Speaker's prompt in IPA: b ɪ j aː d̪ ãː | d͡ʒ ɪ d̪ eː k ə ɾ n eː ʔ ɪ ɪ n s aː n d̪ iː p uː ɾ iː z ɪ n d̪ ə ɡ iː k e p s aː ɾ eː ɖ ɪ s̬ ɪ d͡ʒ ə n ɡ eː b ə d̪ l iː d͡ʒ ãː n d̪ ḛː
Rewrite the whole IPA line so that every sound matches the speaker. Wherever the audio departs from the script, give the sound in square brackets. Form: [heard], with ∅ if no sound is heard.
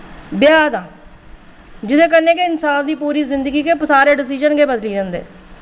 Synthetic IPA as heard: b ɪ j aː d̪ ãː | d͡ʒ ɪ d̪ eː k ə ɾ n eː [k] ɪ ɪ n s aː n d̪ iː p uː ɾ iː z ɪ n d̪ ə ɡ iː k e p s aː ɾ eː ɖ ɪ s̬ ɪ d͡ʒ ə n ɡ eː b ə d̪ l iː d͡ʒ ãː n d̪ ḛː

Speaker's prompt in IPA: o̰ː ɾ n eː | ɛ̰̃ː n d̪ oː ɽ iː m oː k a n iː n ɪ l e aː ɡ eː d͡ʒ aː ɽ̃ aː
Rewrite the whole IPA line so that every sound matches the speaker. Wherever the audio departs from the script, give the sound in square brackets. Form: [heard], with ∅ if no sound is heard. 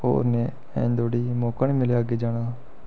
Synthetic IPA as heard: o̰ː ɾ n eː | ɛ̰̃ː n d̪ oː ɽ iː m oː k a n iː [m] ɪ l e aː ɡ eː d͡ʒ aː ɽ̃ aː

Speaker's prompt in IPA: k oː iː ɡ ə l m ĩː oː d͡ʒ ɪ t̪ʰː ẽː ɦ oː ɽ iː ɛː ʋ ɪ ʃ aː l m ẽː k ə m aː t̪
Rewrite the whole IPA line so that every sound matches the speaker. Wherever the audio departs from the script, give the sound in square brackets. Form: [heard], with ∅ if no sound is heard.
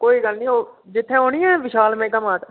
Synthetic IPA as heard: k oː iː ɡ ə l [n] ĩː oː d͡ʒ ɪ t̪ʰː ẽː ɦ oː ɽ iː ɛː ʋ ɪ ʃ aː l m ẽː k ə m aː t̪

